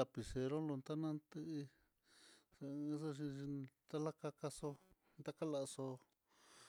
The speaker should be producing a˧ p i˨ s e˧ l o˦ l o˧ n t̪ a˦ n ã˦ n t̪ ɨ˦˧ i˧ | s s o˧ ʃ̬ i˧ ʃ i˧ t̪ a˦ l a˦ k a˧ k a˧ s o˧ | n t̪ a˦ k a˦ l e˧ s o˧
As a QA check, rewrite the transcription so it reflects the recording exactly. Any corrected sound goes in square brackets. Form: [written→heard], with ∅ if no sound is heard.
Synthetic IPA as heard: a˧ p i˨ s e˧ [l→ɾ] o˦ l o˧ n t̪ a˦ n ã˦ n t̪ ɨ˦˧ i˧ | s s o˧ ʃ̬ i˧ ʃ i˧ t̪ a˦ l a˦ k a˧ k a˧ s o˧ | n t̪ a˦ k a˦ l [e˧→a˧] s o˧